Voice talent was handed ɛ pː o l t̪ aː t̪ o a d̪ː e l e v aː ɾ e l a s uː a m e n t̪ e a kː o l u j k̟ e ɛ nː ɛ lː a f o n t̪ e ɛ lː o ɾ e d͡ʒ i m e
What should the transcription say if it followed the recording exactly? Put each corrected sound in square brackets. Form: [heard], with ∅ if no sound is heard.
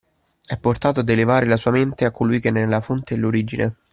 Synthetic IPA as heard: ɛ pː o [r] t̪ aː t̪ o a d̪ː e l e v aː ɾ e l a s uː a m e n t̪ e a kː o l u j k̟ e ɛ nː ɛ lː a f o n t̪ e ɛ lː o ɾ [i] d͡ʒ i [n] e